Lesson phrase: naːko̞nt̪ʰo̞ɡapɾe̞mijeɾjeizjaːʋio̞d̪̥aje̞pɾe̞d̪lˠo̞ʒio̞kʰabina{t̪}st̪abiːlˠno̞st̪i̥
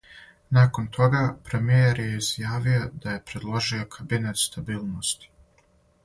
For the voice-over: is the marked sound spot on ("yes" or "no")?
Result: yes